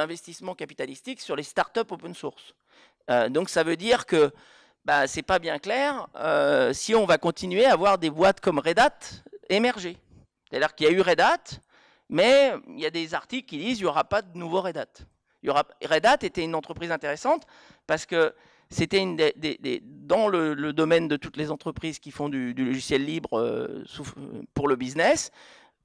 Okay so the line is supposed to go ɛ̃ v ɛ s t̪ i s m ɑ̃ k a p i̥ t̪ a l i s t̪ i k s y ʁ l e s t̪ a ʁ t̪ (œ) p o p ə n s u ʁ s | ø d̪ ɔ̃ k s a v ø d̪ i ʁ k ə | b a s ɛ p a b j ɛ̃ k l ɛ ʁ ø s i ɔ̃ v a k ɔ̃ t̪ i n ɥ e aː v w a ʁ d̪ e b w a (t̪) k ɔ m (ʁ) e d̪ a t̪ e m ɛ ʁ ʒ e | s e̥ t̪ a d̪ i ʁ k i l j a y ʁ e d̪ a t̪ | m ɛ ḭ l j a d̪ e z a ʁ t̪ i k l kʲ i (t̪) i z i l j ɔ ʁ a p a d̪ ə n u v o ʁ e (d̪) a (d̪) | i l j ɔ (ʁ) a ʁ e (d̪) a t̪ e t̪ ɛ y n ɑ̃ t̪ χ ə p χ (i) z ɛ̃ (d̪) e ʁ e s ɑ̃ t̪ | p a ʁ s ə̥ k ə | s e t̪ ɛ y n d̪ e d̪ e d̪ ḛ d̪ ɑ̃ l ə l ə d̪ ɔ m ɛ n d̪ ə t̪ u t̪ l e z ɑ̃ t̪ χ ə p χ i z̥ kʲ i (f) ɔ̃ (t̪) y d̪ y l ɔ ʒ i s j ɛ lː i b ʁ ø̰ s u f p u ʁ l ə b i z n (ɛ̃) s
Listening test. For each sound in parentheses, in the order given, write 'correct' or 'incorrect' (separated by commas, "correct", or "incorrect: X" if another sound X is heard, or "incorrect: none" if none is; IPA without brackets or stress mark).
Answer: correct, correct, correct, incorrect: d̪, correct, incorrect: t̪, correct, correct, correct, incorrect: t̪, correct, incorrect: d̪, incorrect: ɛ